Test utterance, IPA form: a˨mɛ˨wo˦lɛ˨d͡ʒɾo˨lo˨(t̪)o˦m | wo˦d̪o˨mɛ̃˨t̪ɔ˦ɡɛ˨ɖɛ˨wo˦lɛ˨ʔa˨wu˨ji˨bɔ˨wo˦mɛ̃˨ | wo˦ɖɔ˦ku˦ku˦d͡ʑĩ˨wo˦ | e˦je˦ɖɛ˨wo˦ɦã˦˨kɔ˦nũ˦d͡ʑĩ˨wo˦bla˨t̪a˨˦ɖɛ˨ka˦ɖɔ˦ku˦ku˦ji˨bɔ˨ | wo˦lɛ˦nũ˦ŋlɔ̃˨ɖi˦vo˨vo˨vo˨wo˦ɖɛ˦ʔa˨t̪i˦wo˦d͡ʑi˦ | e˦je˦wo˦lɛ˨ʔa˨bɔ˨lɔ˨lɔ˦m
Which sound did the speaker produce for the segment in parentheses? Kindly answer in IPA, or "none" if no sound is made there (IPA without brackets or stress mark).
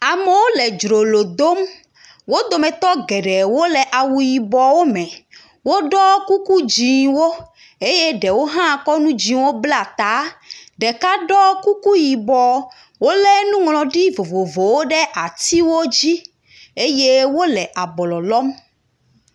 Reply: d̪